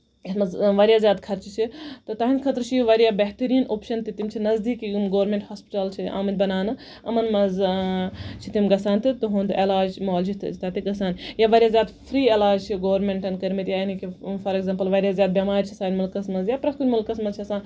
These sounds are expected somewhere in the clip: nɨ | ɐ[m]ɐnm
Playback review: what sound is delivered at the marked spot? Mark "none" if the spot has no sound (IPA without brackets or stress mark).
m